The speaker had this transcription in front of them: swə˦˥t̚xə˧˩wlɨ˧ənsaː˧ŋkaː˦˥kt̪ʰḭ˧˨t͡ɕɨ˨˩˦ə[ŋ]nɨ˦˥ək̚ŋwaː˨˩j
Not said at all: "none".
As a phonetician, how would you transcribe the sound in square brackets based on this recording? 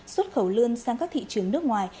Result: ŋ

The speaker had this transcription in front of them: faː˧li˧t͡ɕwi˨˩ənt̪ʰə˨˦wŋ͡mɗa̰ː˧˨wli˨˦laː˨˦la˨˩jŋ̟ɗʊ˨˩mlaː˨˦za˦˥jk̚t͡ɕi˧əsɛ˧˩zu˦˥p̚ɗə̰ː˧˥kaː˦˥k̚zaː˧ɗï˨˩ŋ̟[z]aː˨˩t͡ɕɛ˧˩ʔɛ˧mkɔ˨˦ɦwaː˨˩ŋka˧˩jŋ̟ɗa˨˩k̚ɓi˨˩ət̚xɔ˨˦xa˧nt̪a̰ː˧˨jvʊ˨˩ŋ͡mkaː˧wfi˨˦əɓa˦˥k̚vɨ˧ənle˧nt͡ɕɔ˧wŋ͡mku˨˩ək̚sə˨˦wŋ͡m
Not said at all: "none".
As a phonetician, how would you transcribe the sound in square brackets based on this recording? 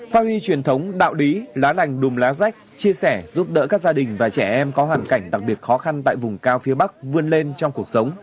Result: v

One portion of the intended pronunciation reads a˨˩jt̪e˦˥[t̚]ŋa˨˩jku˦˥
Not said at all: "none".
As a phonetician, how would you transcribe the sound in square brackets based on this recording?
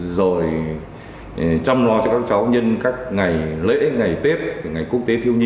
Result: p̚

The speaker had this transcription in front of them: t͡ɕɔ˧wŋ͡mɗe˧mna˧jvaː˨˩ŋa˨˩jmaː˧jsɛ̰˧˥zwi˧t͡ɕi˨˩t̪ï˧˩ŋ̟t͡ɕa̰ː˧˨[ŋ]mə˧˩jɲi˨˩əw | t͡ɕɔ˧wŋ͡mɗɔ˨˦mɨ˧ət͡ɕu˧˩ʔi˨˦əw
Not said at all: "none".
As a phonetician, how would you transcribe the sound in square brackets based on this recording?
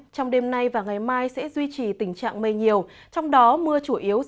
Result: ŋ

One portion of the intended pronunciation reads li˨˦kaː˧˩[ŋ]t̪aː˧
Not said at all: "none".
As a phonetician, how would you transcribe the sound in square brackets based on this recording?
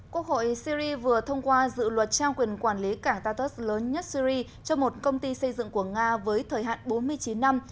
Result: ŋ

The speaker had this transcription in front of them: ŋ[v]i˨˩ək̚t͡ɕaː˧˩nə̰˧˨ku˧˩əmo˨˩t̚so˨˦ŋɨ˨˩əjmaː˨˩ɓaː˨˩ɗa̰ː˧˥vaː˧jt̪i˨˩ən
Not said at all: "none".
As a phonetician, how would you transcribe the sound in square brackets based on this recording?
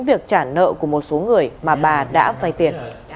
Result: v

